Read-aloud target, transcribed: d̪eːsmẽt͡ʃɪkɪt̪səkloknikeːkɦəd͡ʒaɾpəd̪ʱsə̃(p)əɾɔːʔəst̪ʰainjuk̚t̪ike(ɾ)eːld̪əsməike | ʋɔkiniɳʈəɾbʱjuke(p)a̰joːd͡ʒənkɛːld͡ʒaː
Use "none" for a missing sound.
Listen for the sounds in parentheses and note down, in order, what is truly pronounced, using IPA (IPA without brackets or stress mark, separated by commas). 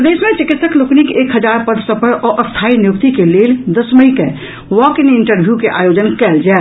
p, l, ʔ